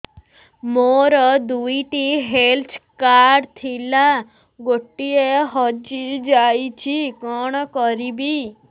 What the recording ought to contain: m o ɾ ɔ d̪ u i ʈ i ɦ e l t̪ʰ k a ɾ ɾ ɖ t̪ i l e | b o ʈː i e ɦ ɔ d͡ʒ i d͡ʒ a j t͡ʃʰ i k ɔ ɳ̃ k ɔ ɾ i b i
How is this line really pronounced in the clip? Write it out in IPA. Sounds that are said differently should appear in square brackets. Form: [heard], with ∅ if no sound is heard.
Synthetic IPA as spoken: m o ɾ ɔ d̪ u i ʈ i ɦ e l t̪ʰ k a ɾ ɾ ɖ [t̪ʰ] i l [a] | [ɡ] o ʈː i e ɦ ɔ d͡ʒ i d͡ʒ a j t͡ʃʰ i k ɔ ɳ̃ k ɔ ɾ i b i